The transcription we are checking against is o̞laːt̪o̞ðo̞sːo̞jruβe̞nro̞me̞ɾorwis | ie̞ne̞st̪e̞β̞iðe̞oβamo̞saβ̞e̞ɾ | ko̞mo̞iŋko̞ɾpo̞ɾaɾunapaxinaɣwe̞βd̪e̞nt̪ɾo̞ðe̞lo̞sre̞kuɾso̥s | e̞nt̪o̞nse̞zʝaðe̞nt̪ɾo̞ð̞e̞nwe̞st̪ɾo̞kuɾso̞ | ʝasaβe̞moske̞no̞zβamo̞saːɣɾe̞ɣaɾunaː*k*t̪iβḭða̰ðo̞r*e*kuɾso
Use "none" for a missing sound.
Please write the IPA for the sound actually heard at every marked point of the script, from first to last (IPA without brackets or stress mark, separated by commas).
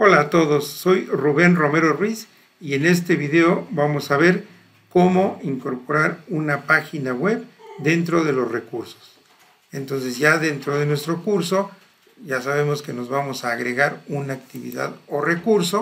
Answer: k, e